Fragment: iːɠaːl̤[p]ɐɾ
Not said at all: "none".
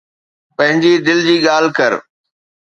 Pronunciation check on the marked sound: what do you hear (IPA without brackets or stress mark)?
k